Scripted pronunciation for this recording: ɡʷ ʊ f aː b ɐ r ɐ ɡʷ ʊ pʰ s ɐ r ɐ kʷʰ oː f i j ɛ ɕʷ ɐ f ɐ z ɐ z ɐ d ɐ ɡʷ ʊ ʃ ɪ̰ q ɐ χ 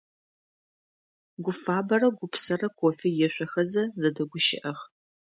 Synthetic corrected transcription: ɡʷ ʊ f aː b ɐ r ɐ ɡʷ ʊ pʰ s ɐ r ɐ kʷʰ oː f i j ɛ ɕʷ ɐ x ɐ z ɐ z ɐ d ɐ ɡʷ ʊ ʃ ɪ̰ ʔ ɐ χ

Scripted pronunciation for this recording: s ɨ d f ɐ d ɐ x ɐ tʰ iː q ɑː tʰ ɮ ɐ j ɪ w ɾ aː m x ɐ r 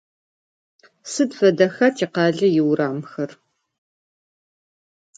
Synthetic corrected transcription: s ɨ d f ɐ d ɐ x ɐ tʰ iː q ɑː ɮ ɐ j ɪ w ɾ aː m x ɐ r

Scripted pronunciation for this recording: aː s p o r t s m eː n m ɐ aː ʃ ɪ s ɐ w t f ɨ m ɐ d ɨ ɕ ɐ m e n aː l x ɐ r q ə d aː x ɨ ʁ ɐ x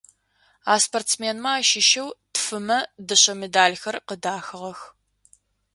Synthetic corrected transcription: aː s p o r t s m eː n m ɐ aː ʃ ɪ ʃ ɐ w t f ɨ m ɐ d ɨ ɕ ɐ m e d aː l x ɐ r q ə d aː x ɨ ʁ ɐ x

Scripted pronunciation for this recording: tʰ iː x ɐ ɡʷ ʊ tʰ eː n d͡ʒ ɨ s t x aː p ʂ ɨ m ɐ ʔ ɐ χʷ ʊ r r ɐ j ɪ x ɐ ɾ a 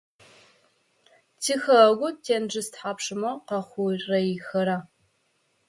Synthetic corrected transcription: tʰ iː x ɐ ɡʷ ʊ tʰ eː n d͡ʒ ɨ s t ħ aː p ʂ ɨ m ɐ q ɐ χʷ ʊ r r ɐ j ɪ x ɐ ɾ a

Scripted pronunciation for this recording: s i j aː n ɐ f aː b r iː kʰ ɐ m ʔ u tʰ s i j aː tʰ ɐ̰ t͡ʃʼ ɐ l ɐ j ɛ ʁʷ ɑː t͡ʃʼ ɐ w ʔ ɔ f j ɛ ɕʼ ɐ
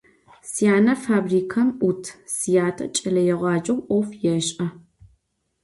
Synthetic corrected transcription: s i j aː n ɐ f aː b r iː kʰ ɐ m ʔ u tʰ s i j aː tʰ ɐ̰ t͡ʃʼ ɐ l ɐ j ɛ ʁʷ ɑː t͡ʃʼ ɐ w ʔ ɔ f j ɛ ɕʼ ɐ

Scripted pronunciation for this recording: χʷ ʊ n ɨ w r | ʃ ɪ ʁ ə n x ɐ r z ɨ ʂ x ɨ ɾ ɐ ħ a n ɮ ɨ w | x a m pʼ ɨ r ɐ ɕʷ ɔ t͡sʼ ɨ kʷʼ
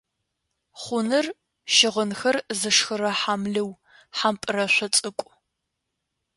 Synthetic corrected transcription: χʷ ʊ n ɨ r | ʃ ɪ ʁ ə n x ɐ r z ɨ ʂ x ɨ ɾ ɐ ħ a m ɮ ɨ w | ħ a m pʼ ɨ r ɐ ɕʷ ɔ t͡sʼ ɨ kʷʼ

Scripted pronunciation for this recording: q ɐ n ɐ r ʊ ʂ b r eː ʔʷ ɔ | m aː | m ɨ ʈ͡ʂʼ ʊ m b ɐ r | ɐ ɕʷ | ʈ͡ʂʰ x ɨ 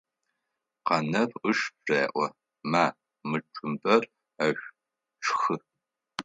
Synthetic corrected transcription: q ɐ n ɐ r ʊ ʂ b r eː ʔʷ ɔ | m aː | m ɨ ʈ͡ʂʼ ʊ m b ɐ r | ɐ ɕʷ | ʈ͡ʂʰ x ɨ

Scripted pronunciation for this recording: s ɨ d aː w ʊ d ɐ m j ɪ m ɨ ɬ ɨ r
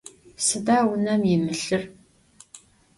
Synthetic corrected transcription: s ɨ d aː w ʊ n ɐ m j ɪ m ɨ ɬ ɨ r

